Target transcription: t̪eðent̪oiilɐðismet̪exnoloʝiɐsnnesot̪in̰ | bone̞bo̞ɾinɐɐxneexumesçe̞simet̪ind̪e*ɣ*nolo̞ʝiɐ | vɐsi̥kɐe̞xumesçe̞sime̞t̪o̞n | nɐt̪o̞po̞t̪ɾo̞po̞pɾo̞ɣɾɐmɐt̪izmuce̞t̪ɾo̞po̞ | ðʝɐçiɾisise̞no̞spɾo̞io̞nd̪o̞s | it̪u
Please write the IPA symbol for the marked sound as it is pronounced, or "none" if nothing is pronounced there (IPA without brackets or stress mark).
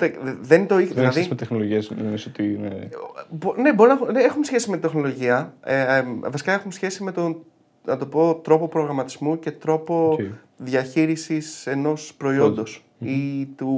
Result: x